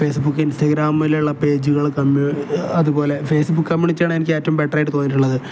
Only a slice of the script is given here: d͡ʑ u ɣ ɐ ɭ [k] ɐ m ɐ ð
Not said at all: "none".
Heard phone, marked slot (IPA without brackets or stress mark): k